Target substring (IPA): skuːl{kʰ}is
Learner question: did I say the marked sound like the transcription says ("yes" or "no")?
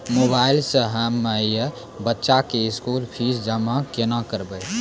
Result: no